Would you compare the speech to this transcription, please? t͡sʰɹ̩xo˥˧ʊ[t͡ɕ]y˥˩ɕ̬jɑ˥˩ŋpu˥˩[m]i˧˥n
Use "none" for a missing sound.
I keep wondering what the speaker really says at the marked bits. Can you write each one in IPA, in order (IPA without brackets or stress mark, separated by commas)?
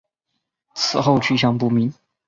t͡ɕʰ, m